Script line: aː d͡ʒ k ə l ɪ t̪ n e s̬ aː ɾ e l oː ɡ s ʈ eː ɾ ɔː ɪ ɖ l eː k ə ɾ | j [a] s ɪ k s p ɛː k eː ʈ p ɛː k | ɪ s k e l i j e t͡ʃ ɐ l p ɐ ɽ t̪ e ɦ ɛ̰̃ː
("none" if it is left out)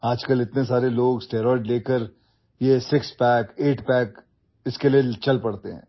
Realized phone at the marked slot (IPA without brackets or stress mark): e